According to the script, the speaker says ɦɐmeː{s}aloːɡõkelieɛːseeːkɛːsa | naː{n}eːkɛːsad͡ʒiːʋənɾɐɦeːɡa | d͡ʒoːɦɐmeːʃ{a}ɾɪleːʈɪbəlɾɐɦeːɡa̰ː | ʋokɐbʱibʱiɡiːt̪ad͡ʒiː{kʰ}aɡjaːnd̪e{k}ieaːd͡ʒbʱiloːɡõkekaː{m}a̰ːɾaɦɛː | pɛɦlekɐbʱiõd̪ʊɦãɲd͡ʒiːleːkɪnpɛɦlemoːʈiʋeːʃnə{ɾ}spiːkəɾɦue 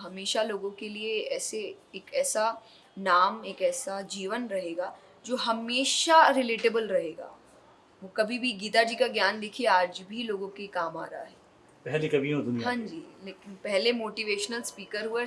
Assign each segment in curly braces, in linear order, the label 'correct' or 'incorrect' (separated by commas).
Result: incorrect, incorrect, correct, incorrect, incorrect, correct, incorrect